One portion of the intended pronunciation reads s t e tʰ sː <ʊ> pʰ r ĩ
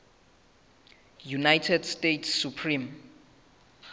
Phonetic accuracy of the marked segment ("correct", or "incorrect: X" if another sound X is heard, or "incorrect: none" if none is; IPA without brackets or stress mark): incorrect: u